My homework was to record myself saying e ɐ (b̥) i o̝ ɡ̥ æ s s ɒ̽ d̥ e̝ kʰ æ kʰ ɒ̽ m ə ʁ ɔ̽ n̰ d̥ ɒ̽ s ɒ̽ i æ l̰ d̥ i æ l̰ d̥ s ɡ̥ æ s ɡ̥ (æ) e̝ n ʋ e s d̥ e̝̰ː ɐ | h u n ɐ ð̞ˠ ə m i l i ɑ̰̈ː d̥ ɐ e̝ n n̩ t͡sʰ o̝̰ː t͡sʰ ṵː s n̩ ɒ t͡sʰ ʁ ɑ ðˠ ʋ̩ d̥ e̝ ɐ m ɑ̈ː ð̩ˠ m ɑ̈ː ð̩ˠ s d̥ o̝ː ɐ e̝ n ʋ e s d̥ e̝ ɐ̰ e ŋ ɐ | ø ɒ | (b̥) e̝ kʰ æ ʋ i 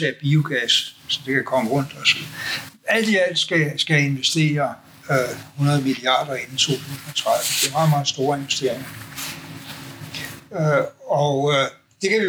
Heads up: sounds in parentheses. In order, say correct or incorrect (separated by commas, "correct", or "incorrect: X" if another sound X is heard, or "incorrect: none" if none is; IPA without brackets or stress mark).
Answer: correct, correct, incorrect: d̥